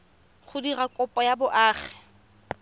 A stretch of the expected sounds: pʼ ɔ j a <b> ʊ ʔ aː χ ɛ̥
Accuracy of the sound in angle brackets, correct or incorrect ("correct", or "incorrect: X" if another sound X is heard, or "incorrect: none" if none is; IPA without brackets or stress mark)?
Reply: correct